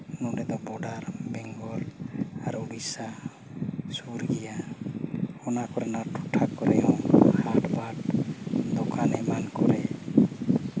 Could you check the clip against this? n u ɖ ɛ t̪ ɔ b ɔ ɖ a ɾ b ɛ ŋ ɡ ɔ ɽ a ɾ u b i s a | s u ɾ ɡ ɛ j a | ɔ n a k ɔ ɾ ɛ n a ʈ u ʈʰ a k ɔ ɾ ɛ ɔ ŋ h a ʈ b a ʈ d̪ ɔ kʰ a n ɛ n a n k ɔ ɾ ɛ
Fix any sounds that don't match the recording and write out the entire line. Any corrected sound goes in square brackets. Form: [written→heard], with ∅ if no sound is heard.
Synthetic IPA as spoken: n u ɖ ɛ [t̪→d̪] ɔ b ɔ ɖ a ɾ b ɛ ŋ ɡ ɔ [ɽ→l] a ɾ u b i s a | s u ɾ ɡ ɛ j a | ɔ n a k ɔ ɾ ɛ n a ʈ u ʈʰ a k ɔ ɾ ɛ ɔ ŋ h a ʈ b a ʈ d̪ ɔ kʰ a n ɛ [n→m] a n k ɔ ɾ ɛ